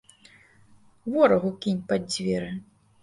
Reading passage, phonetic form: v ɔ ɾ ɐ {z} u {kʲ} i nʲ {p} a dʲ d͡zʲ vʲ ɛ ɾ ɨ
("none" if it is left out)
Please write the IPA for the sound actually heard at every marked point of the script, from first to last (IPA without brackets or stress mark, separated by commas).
ɣ, kʲ, p